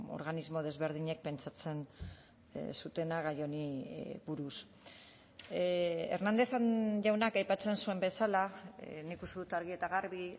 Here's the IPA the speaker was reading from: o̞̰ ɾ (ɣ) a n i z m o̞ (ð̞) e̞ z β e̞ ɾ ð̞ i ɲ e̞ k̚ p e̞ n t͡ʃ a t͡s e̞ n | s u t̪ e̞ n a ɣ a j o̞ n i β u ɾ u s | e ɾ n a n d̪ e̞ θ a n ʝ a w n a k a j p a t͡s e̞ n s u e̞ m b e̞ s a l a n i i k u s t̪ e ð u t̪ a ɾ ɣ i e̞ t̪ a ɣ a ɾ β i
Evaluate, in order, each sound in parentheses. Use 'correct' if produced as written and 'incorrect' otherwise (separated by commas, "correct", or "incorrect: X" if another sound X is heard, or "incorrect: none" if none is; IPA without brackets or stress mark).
correct, correct